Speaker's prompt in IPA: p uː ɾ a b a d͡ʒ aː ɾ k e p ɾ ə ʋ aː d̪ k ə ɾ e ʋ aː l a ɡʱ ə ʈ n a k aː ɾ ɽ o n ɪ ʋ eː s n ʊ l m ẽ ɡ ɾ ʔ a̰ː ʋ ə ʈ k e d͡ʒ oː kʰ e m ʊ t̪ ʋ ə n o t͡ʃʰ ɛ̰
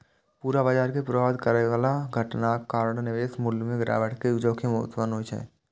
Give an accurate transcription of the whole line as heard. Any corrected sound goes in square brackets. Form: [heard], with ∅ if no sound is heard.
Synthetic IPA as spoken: p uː ɾ a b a d͡ʒ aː ɾ k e p ɾ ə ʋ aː d̪ k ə ɾ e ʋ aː l a ɡʱ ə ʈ n a k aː ɾ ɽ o n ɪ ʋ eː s [m] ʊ l m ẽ ɡ ɾ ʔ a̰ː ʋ ə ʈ k e d͡ʒ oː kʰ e m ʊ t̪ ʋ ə n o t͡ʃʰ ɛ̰

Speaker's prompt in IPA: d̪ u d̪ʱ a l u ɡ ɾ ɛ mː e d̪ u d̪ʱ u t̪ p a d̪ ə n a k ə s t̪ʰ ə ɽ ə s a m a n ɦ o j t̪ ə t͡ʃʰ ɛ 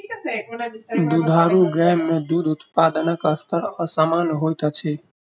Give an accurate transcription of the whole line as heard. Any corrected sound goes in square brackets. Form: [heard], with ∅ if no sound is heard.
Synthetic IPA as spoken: d̪ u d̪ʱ a [ɾ] u ɡ ɾ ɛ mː e d̪ u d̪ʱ u t̪ p a d̪ ə n [ə] k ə s t̪ʰ ə [ɾ] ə s a m a n ɦ o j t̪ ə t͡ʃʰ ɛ

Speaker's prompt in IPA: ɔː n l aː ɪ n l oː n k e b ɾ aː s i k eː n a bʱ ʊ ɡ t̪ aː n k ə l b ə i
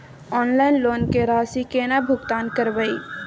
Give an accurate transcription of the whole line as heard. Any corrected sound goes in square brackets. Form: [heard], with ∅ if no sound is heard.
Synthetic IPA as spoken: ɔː n l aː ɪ n l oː n k e [∅] ɾ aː s i k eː n a bʱ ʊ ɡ t̪ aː n k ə [ɾ] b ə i

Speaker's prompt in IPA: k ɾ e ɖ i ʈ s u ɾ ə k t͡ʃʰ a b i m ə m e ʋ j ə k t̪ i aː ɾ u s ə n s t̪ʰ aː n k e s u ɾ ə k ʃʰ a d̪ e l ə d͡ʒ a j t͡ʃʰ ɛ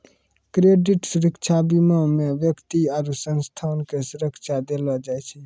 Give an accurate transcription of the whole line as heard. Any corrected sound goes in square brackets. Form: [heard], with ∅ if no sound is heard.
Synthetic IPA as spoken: k ɾ e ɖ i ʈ s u ɾ ə k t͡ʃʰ a b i m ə m e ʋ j ə k t̪ i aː ɾ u s ə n s t̪ʰ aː n k e s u ɾ ə k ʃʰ a d̪ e l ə d͡ʒ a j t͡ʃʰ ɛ

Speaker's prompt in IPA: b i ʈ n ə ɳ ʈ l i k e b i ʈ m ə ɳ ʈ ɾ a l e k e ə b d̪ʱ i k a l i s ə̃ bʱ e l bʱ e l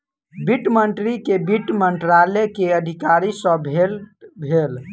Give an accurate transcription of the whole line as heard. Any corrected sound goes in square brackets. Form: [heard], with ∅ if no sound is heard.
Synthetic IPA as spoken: b i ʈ [m] ə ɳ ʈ [ɾ] i k e b i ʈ m ə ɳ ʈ ɾ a l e k e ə [∅] d̪ʱ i k a [ɾ] i s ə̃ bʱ e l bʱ e l

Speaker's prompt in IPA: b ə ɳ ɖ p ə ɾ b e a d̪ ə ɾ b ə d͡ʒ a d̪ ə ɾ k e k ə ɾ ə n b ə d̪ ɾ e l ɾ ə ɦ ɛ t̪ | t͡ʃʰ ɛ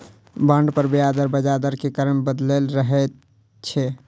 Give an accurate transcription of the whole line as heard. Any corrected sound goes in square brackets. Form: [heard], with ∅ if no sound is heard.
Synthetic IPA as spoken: b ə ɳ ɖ p ə ɾ b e a d̪ ə ɾ b ə d͡ʒ a d̪ ə ɾ k e k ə ɾ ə [m] b ə d̪ [l] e l ɾ ə ɦ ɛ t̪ | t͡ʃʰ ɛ

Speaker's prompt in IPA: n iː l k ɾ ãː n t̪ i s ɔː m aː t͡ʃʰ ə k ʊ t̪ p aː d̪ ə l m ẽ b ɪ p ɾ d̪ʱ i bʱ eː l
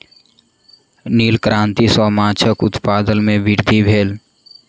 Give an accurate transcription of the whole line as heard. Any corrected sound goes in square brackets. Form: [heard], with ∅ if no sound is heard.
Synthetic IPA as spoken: n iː l k ɾ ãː n t̪ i s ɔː m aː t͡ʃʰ ə k ʊ t̪ p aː d̪ ə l m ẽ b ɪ [∅] ɾ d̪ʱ i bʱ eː l

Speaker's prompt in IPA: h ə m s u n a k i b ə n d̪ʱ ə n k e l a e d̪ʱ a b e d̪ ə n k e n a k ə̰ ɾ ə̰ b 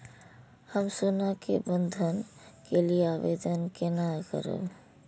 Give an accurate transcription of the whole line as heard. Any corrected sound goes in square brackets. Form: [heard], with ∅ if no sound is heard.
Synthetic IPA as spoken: h ə m s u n a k [e] b ə n d̪ʱ ə n k e l [i] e [∅] a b e d̪ ə n k e n a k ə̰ ɾ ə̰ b

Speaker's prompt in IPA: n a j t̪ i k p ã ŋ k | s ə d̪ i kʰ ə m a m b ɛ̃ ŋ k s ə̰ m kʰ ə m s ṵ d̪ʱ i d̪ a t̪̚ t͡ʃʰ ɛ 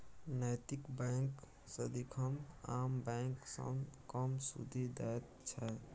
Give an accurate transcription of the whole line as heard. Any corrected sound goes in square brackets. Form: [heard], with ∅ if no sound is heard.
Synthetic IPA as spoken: n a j t̪ i k [b] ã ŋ k | s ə d̪ i kʰ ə m a m b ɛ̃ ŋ k s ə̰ m [k] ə m s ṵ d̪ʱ i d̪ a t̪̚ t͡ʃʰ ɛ

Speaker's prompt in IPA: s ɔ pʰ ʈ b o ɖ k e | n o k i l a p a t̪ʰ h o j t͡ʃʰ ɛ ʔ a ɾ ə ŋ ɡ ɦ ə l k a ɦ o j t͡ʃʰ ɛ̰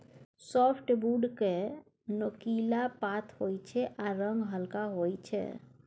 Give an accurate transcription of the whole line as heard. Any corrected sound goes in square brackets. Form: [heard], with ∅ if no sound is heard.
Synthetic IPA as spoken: s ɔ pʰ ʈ b [u] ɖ k e | n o k i l a p a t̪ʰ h o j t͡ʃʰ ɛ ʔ a ɾ ə ŋ ɡ ɦ ə l k a ɦ o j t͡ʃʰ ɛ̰

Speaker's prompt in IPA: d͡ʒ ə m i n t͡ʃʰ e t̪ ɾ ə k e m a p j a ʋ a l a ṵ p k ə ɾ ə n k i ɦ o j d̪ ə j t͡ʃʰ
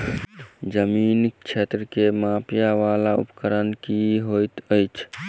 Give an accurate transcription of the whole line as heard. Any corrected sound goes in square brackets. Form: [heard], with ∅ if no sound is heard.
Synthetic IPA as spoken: d͡ʒ ə m i n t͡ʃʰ e t̪ ɾ ə k e m a p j a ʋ a l a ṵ p k ə ɾ ə n k i ɦ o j [t̪] ə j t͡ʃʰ

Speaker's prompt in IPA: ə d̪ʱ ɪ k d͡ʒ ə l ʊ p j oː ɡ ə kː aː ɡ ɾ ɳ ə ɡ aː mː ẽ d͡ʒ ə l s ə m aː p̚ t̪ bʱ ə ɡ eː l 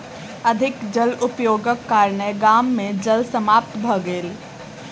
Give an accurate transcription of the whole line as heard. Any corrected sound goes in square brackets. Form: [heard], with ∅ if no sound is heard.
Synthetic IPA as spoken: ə d̪ʱ ɪ k d͡ʒ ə l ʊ p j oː ɡ ə kː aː [∅] ɾ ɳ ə ɡ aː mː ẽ d͡ʒ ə l s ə m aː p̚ t̪ bʱ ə ɡ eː l

